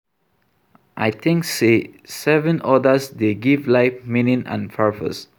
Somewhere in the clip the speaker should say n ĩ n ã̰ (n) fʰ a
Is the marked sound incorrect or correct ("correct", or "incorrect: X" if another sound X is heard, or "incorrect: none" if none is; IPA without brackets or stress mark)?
correct